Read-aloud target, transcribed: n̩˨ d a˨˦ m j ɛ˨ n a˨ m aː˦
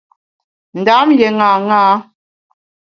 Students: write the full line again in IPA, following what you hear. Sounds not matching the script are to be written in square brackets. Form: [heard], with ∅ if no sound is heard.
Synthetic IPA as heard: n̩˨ d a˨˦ m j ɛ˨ [ŋ] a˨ [ŋ] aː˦